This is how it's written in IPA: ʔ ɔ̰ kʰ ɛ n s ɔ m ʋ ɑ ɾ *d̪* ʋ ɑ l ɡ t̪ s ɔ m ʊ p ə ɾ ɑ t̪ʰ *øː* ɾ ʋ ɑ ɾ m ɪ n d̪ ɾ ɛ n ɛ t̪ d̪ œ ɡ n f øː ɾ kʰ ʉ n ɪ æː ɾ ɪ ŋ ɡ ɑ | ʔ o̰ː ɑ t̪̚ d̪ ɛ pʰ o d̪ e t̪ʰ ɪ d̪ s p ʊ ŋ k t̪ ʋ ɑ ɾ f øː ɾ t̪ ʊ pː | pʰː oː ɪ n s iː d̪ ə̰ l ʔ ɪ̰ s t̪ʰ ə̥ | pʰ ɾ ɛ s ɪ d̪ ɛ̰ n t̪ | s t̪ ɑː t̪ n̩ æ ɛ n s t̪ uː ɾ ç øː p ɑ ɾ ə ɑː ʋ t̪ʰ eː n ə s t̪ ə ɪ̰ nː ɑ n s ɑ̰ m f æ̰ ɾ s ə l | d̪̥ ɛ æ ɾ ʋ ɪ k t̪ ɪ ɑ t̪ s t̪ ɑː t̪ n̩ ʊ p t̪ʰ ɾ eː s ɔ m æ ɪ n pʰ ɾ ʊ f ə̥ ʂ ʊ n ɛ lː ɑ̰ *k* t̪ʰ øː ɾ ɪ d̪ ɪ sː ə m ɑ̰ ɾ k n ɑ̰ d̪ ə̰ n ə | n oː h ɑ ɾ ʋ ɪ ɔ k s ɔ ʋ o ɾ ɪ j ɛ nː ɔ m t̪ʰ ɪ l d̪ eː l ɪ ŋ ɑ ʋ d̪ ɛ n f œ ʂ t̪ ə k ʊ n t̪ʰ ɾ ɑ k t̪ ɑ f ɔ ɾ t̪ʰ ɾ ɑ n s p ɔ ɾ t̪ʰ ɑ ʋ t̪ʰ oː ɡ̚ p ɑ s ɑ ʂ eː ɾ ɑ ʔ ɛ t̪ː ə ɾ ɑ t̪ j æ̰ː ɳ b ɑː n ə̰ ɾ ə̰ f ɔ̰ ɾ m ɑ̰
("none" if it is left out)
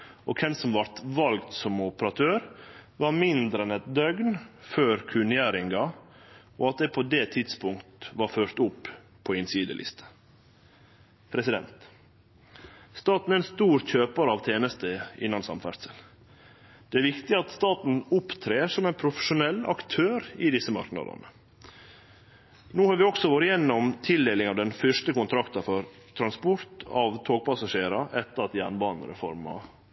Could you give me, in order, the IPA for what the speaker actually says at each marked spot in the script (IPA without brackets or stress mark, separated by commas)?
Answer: t̪, øː, k